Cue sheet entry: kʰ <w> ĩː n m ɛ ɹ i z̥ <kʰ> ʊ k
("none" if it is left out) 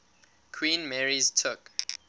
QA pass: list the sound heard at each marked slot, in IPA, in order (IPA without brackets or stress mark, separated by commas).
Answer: w, tʰ